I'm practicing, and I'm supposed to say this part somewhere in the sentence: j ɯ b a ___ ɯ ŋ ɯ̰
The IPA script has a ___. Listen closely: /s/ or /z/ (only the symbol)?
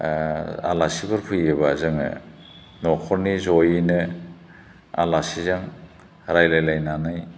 z